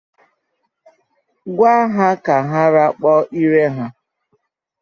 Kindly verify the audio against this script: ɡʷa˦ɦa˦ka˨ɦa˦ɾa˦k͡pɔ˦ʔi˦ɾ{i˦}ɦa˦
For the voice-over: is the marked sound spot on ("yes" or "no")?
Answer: no